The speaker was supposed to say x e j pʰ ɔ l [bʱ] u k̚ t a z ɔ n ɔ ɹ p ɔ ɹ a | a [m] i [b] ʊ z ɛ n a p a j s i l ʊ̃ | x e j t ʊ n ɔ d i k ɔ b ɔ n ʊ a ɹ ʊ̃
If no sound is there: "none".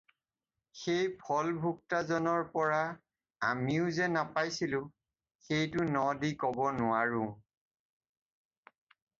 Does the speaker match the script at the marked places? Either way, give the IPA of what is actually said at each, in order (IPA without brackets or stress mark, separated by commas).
bʱ, m, none